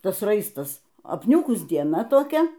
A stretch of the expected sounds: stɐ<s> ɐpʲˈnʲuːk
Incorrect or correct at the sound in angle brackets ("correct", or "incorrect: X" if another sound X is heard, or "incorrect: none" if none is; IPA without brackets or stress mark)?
correct